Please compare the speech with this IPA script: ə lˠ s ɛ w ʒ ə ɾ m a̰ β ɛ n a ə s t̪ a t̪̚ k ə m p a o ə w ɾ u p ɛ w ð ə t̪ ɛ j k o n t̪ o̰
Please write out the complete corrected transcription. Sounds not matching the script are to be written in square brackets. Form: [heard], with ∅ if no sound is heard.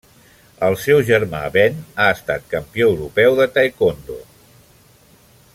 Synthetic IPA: ə lˠ s ɛ w ʒ ə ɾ m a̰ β ɛ n a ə s t̪ a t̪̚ k ə m p [i] o ə w ɾ u p ɛ w ð ə t̪ [a] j k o n [d̪] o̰